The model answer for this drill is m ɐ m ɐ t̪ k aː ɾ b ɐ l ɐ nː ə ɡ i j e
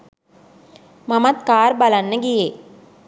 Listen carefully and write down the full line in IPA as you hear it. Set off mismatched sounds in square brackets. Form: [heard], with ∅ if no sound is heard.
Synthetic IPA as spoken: m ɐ m ɐ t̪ k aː ɾ b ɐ l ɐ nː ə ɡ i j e